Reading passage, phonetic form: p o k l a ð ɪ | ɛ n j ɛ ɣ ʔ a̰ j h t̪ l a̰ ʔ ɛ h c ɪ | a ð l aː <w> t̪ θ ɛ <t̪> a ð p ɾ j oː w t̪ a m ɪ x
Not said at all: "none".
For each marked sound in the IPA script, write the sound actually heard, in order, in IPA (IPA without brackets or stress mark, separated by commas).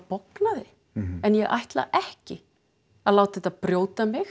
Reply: w, t̪